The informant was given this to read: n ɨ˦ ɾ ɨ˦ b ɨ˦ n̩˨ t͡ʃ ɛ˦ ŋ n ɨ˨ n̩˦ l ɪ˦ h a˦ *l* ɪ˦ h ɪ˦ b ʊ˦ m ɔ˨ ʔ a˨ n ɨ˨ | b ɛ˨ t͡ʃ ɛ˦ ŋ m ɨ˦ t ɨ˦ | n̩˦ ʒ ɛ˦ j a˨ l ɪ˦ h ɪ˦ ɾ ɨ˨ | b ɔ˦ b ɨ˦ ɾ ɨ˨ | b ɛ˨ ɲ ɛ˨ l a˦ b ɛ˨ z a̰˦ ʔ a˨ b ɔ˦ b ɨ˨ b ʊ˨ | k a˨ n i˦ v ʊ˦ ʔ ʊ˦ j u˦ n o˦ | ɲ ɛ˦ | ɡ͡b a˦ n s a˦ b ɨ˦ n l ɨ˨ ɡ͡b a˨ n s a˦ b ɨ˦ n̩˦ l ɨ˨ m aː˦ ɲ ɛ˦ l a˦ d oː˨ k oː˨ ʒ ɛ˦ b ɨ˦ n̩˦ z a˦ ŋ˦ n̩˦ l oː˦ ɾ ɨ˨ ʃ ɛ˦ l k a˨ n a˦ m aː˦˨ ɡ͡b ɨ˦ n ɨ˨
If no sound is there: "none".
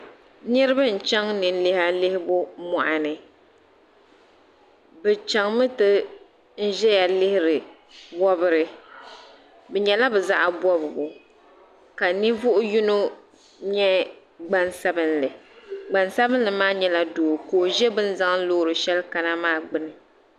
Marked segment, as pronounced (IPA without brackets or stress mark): l